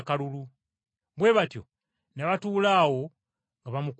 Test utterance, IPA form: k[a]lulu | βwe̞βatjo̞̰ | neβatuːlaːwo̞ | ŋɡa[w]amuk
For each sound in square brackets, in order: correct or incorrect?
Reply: correct, incorrect: β

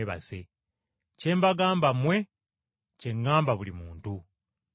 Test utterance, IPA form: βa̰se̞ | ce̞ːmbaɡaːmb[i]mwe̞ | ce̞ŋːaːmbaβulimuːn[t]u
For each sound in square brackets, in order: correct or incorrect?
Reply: incorrect: a, correct

